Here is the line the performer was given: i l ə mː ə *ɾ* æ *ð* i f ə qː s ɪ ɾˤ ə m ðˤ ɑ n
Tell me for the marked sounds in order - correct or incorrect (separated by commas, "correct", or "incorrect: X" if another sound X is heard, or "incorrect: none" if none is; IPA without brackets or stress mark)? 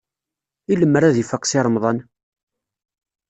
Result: correct, correct